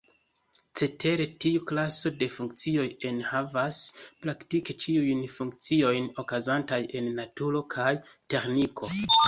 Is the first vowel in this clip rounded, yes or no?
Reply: no